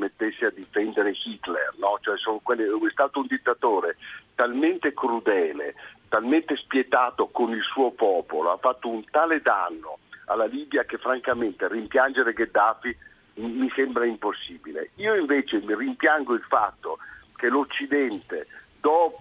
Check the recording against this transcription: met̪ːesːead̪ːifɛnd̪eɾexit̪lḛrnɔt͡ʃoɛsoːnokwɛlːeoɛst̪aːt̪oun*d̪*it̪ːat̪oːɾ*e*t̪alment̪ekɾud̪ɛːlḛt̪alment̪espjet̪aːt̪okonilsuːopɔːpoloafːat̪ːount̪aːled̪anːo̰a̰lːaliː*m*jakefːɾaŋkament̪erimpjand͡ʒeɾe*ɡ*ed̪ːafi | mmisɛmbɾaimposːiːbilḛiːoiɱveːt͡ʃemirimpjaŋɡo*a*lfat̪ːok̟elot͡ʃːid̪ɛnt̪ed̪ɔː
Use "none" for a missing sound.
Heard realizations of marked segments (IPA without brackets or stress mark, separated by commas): d̪, e, b, ɡ, i